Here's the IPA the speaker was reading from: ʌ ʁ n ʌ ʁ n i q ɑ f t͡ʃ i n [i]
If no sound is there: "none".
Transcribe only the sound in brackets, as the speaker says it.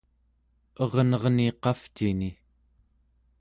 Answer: i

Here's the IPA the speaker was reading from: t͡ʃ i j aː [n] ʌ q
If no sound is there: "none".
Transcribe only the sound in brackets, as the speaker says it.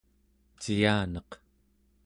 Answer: n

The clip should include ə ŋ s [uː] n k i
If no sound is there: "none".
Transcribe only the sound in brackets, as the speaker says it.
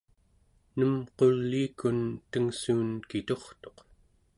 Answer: uː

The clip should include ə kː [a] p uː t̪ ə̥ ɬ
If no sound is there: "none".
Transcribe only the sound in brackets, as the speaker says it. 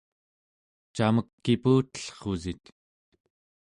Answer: i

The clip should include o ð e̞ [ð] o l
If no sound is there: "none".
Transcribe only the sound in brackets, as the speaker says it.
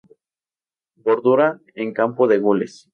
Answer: ɣ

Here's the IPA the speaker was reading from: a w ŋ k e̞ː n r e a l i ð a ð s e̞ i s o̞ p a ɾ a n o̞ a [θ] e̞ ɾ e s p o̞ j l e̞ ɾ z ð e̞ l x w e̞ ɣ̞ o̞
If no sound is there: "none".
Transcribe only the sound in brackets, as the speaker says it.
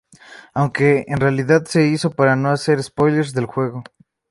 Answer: s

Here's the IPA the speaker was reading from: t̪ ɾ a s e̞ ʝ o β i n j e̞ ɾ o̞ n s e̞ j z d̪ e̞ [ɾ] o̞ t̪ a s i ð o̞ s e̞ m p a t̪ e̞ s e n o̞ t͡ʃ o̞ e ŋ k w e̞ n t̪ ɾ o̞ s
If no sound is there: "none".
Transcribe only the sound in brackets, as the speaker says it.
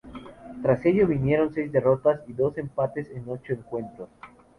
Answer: r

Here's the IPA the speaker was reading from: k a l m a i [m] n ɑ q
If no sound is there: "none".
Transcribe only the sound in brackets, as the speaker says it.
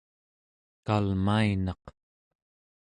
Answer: none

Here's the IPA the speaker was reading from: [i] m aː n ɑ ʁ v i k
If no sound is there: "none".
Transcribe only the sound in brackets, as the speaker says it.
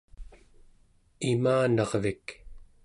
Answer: i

